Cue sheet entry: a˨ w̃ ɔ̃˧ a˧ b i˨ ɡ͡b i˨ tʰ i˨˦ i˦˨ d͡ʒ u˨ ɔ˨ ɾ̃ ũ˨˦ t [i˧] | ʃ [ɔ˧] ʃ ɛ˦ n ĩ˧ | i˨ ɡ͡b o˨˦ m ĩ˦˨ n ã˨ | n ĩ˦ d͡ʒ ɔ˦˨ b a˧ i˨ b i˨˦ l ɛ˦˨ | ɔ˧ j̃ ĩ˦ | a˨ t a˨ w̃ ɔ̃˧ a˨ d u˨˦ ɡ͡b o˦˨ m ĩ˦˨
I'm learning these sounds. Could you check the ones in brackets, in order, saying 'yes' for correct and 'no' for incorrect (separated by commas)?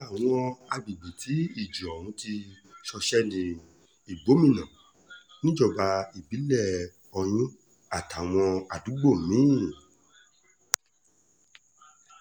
yes, yes